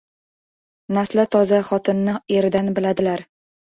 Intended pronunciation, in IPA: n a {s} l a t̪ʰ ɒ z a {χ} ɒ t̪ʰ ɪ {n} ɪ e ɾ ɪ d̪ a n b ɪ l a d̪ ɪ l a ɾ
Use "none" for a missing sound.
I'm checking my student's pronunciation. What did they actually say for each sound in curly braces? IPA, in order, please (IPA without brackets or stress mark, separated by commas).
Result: s, χ, nː